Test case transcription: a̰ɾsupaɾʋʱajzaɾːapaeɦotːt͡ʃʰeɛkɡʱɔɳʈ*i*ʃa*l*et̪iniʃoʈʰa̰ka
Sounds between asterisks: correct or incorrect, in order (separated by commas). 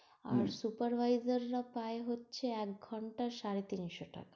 incorrect, incorrect